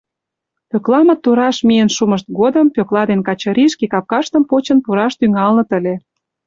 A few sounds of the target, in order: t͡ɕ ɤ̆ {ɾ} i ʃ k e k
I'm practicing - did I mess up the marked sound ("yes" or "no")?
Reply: no